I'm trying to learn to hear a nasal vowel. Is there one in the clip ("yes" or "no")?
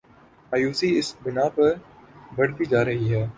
no